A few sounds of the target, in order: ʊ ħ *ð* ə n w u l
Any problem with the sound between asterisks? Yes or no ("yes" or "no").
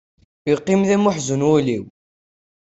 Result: yes